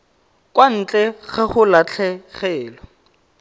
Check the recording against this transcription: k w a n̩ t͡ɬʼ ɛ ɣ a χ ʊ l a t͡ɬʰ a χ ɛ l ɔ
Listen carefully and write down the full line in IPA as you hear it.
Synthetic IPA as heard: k w a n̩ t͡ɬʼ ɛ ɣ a χ ʊ l a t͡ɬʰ ɛ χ ɛː l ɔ